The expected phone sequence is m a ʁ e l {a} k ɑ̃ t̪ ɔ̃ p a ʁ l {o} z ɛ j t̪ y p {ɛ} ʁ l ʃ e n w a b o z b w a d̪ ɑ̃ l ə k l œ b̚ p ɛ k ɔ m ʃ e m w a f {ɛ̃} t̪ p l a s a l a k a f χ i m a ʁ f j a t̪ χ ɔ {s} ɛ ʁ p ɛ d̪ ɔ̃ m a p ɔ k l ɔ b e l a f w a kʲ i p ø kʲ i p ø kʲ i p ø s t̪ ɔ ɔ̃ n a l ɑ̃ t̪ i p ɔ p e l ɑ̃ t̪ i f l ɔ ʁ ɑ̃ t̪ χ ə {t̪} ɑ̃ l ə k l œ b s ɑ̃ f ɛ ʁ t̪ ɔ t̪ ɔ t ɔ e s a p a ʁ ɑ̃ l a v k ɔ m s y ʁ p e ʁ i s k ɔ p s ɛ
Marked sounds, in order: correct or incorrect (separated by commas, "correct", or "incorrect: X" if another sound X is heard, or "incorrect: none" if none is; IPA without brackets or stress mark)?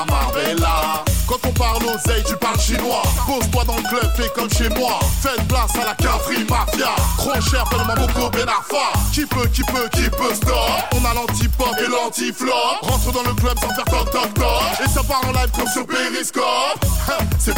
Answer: correct, correct, incorrect: a, incorrect: ɛ, incorrect: ʃ, incorrect: d̪